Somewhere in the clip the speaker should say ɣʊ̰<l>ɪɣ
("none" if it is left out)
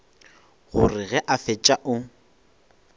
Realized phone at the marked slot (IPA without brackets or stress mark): r